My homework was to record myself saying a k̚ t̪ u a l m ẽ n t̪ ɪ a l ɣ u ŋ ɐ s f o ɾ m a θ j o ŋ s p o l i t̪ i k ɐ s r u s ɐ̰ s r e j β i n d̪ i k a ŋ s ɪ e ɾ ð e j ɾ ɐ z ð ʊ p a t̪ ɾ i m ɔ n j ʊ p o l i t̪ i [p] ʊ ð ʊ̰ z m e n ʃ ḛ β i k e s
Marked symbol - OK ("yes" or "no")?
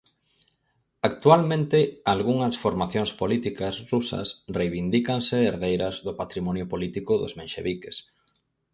no